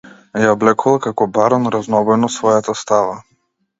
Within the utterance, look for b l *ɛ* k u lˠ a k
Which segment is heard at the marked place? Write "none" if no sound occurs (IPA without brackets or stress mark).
ɛ